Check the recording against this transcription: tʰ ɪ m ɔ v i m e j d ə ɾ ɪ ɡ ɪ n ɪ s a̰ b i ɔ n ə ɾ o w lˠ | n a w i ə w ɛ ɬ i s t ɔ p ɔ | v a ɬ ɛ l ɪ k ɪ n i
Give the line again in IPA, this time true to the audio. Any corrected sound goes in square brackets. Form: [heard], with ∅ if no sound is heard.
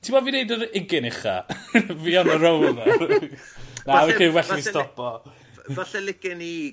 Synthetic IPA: tʰ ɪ m ɔ v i [n] e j d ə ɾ ɪ ɡ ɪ n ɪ [χ] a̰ [v] i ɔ n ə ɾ o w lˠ | n a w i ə w ɛ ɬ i s t ɔ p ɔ | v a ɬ ɛ l ɪ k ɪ n i